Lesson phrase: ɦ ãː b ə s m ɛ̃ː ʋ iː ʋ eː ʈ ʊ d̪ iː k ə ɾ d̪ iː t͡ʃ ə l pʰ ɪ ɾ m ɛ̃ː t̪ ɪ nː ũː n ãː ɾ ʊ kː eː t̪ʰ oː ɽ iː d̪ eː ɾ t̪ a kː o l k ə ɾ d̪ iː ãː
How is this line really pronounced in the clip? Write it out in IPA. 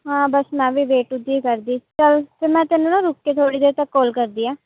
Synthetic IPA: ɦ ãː b ə s m ɛ̃ː ʋ iː ʋ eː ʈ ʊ d̪ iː k ə ɾ d̪ iː t͡ʃ ə l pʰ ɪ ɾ m ɛ̃ː t̪ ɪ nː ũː n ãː ɾ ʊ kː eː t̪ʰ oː ɽ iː d̪ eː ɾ t̪ ə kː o l k ə ɾ d̪ iː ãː